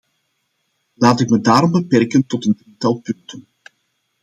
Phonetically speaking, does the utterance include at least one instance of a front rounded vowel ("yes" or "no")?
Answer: no